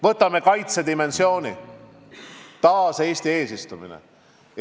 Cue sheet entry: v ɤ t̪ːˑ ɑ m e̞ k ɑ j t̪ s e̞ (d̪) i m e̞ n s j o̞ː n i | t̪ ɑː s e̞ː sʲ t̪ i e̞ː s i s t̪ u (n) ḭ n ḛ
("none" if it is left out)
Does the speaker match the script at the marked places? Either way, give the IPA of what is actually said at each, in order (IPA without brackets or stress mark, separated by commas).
d̪, m